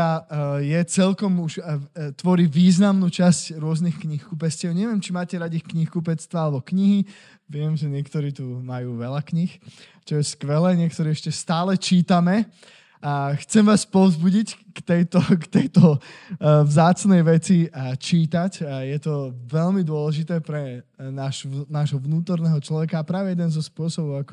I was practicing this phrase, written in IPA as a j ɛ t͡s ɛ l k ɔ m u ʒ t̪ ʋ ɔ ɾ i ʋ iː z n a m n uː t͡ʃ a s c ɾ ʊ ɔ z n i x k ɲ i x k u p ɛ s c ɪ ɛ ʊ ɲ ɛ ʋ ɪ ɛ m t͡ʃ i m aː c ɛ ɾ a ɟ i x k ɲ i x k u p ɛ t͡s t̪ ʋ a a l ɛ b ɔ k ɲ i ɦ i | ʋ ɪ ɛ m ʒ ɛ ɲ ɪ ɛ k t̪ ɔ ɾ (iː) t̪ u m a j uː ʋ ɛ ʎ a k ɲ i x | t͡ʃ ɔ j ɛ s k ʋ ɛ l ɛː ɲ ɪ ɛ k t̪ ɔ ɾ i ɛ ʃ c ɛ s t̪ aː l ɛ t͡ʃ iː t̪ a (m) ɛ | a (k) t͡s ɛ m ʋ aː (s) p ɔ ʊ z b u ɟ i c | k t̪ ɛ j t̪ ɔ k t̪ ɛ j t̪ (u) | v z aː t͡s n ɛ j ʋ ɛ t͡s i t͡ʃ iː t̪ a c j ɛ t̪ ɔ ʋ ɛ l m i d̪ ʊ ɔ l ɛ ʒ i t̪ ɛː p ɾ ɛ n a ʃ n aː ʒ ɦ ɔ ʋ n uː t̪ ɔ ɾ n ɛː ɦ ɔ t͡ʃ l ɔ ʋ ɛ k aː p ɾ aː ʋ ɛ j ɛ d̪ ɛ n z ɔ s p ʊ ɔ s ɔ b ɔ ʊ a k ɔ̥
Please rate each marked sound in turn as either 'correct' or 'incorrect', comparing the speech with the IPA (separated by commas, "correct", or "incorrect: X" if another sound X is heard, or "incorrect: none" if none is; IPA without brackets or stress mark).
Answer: correct, correct, incorrect: x, correct, incorrect: ɔ